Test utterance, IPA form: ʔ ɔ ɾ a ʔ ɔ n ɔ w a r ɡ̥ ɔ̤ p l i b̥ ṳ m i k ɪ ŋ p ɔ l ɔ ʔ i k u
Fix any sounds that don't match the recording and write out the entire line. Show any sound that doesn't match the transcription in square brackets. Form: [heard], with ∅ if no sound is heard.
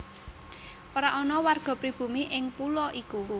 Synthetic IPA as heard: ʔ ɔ ɾ a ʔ ɔ n ɔ w a r ɡ̥ ɔ̤ p [ɾ] i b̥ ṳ m i [ʔ] ɪ ŋ p [u] l ɔ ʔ i k u